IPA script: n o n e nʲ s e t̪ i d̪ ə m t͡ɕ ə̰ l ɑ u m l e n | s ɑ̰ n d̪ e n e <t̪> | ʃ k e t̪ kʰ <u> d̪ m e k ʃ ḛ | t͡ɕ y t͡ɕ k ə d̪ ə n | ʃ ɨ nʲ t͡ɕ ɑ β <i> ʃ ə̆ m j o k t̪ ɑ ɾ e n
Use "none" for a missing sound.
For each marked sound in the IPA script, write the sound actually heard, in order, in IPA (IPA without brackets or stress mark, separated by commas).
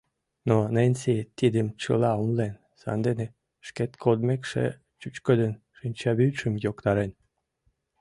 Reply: none, o, y